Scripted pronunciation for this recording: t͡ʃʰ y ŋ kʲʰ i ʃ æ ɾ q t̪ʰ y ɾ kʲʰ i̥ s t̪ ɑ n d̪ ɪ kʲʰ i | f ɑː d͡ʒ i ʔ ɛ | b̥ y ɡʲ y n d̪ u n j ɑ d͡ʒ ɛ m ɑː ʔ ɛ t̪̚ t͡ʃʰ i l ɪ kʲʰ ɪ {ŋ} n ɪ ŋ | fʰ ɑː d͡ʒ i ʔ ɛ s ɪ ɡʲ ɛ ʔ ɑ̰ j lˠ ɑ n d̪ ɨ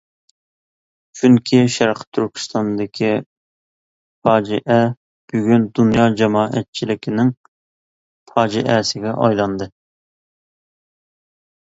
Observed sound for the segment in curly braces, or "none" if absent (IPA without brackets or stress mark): none